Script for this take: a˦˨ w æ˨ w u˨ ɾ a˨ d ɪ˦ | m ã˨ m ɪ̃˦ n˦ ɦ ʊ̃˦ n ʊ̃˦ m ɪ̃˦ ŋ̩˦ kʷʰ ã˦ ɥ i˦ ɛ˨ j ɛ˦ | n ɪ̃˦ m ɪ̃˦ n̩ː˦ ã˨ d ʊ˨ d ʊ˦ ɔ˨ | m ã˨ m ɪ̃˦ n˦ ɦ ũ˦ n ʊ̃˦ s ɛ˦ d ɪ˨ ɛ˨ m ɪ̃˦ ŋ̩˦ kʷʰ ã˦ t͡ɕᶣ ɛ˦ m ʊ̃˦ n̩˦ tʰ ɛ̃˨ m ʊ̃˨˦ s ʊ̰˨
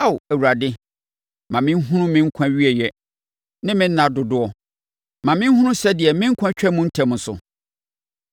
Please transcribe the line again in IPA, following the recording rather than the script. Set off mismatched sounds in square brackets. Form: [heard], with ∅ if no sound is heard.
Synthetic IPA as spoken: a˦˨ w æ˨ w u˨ ɾ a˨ d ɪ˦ | m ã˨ m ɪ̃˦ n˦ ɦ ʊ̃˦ n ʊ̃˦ m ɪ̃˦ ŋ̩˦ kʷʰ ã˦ ɥ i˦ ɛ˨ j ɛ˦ | n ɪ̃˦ m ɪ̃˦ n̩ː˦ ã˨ d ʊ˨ d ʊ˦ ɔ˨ | m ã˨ m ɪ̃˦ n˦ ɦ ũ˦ n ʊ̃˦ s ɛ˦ d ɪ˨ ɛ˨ m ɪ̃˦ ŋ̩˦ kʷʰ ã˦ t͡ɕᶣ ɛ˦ m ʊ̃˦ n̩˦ tʰ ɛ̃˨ m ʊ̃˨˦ s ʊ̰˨